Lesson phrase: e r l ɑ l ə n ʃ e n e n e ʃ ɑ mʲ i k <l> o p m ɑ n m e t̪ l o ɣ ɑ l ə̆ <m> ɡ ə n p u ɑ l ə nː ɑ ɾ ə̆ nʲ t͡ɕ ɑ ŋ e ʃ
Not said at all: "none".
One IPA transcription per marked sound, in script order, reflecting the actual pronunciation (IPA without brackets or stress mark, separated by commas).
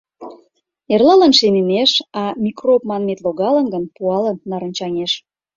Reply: r, n